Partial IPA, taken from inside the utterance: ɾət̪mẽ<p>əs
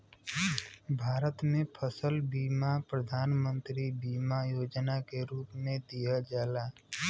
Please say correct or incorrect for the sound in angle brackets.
incorrect